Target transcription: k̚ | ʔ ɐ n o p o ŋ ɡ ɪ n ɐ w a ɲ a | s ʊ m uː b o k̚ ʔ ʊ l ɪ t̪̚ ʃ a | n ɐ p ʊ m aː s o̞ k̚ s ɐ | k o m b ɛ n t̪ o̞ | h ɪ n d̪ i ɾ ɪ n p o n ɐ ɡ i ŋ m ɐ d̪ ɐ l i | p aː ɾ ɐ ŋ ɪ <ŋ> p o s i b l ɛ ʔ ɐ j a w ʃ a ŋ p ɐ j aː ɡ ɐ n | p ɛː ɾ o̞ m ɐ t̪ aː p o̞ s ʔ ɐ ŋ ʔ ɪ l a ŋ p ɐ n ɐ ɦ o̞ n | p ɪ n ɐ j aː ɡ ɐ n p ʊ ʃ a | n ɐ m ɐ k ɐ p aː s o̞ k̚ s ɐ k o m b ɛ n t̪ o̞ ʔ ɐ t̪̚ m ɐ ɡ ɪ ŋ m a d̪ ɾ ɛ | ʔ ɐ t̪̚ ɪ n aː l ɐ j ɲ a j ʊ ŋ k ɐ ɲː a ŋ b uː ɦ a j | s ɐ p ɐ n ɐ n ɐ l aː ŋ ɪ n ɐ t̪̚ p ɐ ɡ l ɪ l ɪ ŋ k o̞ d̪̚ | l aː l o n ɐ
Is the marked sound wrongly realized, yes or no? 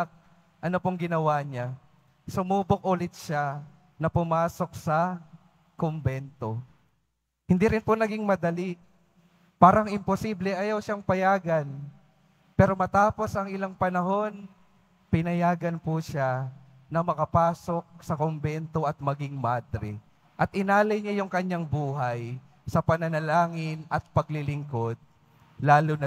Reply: yes